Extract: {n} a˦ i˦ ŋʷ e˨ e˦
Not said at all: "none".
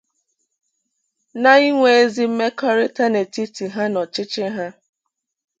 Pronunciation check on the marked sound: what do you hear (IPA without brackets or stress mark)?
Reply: n